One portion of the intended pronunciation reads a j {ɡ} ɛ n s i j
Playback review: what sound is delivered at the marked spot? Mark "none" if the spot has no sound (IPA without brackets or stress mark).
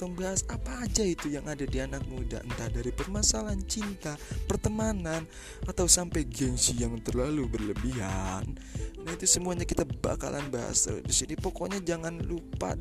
ɡ